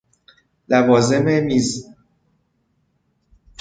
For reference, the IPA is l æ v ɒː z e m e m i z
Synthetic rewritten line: l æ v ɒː z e m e m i z